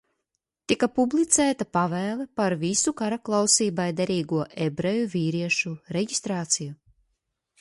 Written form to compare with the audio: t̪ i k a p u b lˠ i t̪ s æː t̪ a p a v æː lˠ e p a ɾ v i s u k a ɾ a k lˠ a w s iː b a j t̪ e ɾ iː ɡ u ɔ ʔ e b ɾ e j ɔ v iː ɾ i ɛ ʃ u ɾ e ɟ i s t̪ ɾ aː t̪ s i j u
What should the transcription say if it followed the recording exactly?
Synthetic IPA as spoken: t̪ i k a p u b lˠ i t̪ s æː t̪ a p a v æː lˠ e p a ɾ v i s u k a ɾ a k lˠ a w s iː b a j d̪ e ɾ iː ɡ u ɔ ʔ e b ɾ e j u v iː ɾ i ɛ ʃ u ɾ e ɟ i s t̪ ɾ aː t̪ s i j u